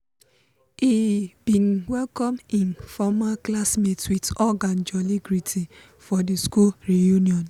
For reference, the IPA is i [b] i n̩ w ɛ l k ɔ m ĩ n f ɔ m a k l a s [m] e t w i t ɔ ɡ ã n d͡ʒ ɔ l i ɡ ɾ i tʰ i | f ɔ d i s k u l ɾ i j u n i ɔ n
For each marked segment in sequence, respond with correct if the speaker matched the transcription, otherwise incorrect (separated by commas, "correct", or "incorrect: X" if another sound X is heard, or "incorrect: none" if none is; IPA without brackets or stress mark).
correct, correct